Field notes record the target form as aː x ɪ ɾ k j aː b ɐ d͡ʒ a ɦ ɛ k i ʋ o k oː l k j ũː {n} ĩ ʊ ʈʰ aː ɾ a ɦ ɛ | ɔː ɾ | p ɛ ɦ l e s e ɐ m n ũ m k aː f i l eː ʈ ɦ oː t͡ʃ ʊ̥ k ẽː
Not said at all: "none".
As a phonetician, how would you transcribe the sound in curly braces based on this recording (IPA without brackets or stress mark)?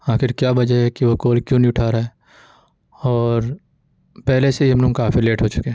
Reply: n